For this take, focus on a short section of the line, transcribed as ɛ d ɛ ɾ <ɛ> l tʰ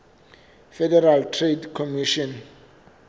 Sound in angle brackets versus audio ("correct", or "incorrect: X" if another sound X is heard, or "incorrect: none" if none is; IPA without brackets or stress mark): incorrect: a